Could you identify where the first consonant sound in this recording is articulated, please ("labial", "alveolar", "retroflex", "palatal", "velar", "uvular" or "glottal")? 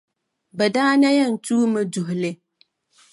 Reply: labial